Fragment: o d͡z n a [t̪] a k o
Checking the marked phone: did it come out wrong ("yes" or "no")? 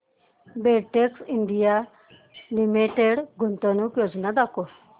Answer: yes